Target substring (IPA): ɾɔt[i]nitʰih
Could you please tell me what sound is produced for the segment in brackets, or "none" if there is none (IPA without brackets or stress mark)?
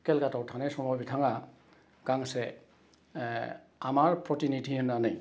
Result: i